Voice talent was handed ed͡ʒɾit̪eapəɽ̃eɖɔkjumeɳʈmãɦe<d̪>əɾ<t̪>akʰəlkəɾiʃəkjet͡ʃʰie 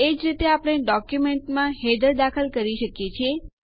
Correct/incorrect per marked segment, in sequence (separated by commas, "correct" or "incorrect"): correct, incorrect